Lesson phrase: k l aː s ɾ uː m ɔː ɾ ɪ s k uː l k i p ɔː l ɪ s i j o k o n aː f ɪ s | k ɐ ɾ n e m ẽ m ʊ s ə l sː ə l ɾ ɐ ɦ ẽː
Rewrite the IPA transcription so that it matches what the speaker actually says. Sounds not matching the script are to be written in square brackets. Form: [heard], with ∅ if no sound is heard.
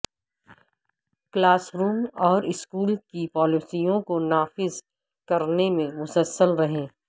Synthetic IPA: k l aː s ɾ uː m ɔː ɾ ɪ s k uː l k i p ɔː l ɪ s i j [õ] k o n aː f ɪ [z] | k ɐ ɾ n e m ẽ m ʊ s ə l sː ə l ɾ ɐ ɦ ẽː